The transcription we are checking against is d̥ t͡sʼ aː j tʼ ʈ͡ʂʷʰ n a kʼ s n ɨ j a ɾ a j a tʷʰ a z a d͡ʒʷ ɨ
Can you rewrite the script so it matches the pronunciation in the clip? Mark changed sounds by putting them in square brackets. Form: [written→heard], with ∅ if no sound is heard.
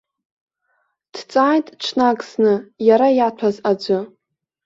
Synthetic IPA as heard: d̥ t͡sʼ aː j tʼ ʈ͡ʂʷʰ n a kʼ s n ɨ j a ɾ a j a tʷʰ a z a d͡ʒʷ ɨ